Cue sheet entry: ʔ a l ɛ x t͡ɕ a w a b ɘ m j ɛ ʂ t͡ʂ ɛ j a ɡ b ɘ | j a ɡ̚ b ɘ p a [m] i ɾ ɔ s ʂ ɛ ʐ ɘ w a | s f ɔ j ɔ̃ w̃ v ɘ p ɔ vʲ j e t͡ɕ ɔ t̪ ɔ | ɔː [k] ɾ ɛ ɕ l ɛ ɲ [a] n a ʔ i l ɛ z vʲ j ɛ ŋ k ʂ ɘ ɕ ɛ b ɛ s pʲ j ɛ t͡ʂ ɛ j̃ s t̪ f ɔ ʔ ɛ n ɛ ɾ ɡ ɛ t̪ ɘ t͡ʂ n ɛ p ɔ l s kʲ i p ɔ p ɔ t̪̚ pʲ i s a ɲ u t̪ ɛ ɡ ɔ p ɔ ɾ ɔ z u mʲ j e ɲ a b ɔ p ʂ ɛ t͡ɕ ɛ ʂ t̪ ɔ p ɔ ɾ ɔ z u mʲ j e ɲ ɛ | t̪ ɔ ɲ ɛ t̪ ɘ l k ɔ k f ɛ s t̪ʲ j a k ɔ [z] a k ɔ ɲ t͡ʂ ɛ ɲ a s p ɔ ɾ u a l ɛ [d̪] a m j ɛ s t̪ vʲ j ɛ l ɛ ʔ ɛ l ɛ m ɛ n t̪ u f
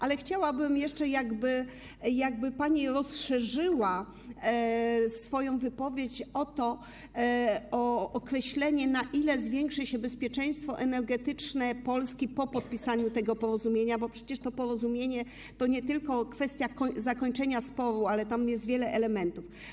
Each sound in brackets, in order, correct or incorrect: incorrect: ɲ, correct, incorrect: ɛ, correct, incorrect: t̪

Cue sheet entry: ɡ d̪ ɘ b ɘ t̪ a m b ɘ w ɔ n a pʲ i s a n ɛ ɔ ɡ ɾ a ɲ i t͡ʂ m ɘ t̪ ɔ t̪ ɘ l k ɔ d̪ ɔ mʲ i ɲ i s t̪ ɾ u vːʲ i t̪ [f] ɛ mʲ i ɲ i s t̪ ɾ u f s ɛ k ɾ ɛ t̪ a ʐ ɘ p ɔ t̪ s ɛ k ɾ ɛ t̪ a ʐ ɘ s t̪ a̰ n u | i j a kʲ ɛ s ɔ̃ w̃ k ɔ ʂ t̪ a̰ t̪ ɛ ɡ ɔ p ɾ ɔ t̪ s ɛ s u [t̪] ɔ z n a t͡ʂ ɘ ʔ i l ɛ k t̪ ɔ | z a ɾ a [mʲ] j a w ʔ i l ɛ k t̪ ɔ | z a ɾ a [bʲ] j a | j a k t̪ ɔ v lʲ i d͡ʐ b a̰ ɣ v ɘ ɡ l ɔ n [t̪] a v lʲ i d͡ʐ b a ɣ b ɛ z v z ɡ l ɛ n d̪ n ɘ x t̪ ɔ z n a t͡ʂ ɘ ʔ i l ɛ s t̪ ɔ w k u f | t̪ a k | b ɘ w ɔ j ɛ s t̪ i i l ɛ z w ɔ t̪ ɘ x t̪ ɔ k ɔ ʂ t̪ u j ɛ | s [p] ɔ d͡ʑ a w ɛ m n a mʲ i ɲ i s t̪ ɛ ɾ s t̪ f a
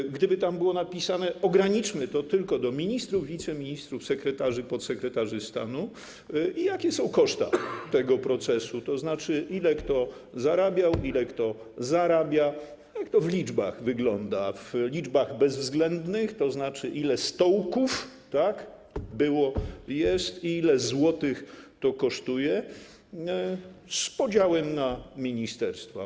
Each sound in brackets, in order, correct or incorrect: incorrect: s, correct, incorrect: bʲ, correct, incorrect: d̪, correct

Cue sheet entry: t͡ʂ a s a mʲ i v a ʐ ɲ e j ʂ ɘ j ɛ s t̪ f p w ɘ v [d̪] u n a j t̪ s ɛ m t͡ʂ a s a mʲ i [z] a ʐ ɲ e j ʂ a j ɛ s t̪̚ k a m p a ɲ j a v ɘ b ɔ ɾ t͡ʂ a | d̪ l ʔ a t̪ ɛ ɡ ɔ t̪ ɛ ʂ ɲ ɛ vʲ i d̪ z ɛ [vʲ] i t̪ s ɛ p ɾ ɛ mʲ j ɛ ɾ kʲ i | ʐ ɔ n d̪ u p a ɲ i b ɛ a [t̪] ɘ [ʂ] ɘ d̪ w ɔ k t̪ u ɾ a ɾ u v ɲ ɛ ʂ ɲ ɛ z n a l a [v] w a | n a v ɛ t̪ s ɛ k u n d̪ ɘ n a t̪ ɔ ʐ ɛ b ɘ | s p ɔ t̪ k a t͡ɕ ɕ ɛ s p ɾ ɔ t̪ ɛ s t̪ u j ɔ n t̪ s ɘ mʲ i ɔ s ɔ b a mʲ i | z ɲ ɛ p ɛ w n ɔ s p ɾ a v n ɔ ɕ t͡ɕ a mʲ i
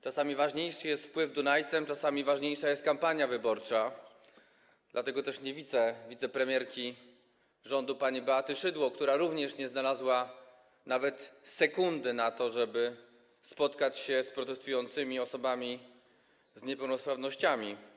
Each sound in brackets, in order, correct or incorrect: correct, incorrect: v, correct, correct, correct, incorrect: z

